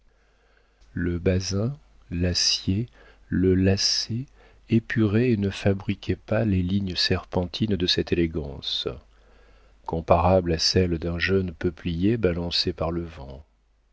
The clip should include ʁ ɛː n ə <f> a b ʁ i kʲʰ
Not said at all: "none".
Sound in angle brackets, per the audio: f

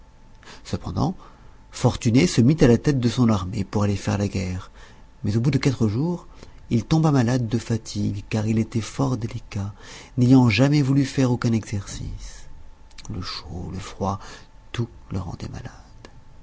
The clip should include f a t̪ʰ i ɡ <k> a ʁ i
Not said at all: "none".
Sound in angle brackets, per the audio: k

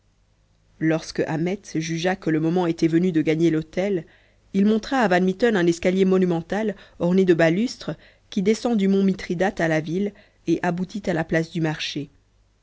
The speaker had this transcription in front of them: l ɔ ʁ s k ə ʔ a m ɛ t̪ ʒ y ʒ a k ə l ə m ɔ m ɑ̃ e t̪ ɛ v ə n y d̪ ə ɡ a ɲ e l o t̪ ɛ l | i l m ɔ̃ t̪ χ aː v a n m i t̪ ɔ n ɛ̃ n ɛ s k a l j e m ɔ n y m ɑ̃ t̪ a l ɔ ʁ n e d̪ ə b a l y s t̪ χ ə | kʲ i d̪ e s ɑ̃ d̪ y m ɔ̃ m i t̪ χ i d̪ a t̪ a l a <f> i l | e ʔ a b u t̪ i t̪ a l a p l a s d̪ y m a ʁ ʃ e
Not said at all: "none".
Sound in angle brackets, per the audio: v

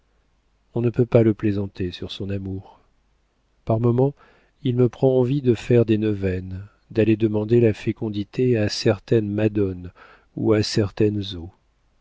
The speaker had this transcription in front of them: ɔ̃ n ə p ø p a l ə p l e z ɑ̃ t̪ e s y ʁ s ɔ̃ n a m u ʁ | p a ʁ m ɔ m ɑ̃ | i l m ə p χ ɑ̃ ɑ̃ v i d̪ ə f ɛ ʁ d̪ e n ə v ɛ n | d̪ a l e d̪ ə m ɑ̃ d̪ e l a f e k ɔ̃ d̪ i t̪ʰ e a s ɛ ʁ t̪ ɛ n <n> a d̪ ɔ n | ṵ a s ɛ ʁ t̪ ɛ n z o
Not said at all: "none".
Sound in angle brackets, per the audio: m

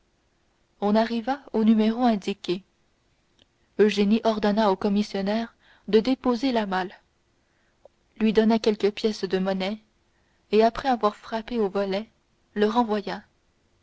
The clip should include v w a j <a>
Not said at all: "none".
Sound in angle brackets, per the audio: a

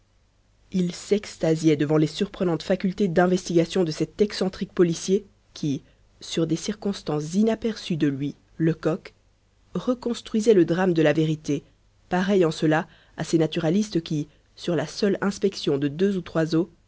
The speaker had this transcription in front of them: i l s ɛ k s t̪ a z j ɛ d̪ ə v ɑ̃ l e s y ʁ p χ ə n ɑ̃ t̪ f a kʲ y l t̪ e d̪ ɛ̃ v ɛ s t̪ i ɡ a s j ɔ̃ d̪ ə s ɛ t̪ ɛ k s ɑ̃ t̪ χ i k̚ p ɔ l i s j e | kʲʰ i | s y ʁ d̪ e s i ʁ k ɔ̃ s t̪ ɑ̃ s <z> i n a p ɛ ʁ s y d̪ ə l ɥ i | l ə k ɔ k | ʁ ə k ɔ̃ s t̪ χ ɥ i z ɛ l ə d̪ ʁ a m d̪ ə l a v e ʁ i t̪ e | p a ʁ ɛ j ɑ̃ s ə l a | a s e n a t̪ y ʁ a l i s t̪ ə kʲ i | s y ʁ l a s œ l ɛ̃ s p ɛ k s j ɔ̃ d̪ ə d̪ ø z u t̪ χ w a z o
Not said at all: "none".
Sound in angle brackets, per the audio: z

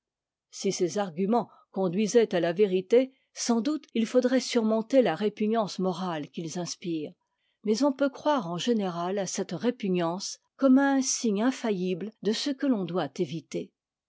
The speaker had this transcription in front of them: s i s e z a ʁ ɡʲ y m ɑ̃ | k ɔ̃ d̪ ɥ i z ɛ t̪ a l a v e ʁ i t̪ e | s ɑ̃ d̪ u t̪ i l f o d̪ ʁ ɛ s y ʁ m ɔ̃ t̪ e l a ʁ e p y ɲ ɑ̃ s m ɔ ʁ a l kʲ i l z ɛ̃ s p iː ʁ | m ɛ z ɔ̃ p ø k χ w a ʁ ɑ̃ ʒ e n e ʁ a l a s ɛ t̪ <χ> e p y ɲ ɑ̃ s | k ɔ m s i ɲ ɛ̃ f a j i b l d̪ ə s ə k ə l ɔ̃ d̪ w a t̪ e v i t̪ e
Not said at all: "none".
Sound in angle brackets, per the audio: ʁ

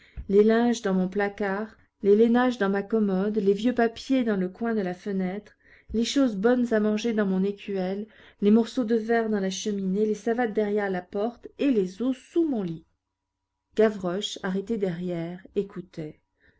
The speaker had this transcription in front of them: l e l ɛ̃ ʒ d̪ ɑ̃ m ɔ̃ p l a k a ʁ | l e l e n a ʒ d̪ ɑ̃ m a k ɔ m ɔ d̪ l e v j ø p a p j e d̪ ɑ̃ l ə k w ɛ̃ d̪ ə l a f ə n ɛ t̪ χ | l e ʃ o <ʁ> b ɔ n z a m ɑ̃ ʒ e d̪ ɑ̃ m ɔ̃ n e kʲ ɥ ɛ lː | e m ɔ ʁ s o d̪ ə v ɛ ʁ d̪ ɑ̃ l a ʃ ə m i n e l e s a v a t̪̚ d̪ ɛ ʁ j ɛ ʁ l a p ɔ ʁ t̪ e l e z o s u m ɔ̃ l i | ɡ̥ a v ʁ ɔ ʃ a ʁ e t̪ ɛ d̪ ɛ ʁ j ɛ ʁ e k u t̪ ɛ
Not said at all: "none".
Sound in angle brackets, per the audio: z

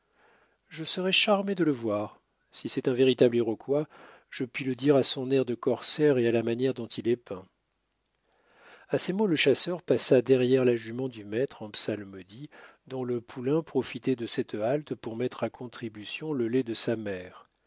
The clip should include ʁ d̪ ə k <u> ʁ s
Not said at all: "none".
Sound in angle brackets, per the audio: ɔ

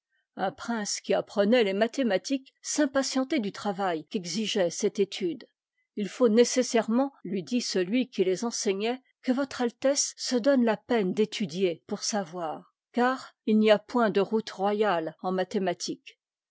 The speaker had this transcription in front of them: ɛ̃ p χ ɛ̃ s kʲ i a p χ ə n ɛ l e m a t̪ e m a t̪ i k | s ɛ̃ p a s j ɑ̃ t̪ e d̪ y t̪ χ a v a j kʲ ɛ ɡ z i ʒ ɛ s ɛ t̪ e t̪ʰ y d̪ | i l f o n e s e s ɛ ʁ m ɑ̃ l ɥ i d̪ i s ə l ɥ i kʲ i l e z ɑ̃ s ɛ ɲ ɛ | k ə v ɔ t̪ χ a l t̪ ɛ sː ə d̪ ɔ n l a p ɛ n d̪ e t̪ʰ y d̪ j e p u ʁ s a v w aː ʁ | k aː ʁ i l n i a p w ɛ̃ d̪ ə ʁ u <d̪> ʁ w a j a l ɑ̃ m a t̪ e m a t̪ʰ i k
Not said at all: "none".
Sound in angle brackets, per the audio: t̪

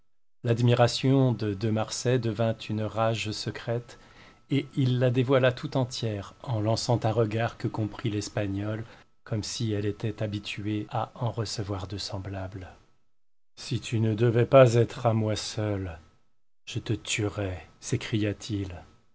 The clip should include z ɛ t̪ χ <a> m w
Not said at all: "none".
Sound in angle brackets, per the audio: a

